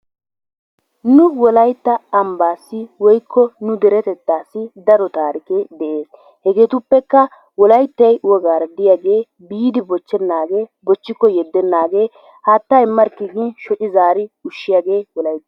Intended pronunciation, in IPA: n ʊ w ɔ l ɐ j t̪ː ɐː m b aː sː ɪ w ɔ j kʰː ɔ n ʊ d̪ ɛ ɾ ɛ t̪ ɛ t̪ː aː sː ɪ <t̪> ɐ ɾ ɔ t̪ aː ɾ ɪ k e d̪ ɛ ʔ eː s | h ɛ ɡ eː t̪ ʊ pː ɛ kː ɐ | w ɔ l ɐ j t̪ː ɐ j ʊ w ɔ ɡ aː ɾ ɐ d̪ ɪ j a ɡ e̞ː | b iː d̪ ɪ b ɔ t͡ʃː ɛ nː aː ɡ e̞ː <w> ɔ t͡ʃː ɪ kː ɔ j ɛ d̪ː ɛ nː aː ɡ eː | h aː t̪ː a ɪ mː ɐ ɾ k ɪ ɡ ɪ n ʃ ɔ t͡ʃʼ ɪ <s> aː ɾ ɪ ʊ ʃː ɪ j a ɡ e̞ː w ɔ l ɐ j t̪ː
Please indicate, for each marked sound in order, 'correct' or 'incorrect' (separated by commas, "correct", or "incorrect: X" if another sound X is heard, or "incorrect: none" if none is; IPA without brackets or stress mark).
incorrect: d̪, incorrect: b, incorrect: z